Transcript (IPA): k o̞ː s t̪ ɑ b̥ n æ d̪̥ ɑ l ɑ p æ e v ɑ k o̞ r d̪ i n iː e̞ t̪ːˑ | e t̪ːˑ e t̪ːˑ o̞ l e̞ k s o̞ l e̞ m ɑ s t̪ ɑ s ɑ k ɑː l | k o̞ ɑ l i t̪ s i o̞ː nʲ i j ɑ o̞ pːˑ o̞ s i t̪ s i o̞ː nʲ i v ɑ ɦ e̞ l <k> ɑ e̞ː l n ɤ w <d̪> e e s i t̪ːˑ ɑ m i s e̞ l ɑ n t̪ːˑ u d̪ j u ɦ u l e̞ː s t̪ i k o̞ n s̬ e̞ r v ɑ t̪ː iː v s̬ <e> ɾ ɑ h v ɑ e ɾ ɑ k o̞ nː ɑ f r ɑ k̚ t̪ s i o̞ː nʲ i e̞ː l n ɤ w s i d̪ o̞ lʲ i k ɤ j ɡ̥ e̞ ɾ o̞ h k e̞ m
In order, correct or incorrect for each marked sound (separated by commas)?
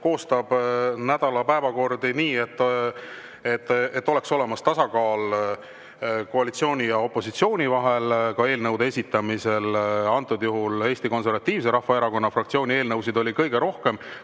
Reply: correct, correct, correct